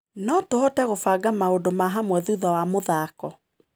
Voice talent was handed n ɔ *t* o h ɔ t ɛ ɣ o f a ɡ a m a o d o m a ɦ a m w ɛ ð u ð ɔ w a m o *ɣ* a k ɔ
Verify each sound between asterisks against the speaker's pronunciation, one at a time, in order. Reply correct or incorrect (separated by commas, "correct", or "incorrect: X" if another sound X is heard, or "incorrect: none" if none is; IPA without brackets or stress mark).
correct, incorrect: ð